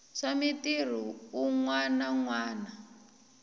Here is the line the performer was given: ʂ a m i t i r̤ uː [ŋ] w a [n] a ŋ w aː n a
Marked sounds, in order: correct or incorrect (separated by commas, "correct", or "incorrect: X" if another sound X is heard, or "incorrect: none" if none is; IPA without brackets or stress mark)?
correct, correct